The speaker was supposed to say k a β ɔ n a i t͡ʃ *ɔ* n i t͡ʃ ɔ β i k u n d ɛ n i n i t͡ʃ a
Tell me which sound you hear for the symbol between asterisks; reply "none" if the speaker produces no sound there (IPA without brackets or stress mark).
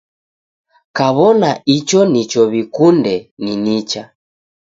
ɔ